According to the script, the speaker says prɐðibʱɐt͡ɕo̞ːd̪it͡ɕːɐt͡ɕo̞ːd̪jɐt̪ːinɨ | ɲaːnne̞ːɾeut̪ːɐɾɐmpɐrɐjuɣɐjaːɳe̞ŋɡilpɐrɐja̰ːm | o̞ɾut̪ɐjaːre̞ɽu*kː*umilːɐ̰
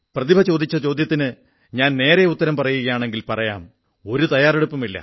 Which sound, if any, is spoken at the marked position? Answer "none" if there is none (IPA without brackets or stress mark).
pː